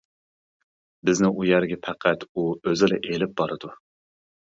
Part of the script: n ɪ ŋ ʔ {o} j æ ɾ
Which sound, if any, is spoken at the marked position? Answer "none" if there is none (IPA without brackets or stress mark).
u